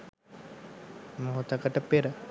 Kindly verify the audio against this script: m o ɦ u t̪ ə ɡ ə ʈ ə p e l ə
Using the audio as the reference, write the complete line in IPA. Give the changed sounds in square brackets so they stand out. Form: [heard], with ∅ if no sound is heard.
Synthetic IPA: m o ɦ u t̪ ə [k] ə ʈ ə p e [ɾ] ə